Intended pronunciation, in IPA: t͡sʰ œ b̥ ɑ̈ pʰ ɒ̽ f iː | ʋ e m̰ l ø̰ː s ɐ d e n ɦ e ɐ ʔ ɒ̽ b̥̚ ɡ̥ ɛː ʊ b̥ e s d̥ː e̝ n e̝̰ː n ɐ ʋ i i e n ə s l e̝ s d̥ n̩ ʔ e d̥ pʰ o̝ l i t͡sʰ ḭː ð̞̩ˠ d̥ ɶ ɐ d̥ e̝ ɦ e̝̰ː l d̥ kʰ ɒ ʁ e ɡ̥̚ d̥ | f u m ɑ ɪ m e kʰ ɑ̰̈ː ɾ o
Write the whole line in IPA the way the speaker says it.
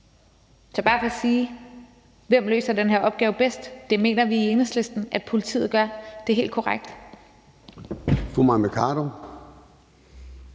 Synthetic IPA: t͡sʰ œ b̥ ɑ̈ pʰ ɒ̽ s iː | ʋ e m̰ l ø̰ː s ɐ d e n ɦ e ɐ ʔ ɒ̽ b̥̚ ɡ̥ ɛː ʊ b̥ e s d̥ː e̝ m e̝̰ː n ɐ ʋ i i e n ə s l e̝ s d̥ n̩ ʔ æ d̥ pʰ o̝ l i t͡sʰ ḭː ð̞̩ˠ ɡ̥ ɶ ɐ d̥ e̝ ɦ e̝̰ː l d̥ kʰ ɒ ʁ a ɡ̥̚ d̥ | f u m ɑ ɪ m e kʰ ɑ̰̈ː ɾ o